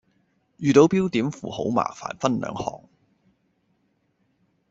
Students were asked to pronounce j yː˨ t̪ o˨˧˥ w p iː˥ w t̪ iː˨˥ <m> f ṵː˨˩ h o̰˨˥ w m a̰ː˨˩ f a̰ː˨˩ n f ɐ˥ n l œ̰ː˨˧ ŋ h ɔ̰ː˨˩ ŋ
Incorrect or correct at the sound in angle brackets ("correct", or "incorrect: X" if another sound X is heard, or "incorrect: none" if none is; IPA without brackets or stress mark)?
correct